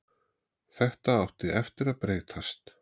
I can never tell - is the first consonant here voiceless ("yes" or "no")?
yes